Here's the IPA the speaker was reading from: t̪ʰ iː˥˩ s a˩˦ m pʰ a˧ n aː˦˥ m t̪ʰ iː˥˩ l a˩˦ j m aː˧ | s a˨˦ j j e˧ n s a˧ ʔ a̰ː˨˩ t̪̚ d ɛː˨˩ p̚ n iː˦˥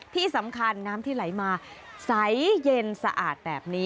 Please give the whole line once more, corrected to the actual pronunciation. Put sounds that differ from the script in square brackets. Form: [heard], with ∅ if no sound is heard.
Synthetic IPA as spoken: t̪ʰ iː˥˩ s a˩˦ m [kʰ] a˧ [nː] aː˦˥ m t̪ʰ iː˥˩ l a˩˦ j m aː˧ | s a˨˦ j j e˧ n s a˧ ʔ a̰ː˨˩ t̪̚ [b] ɛː˨˩ p̚ n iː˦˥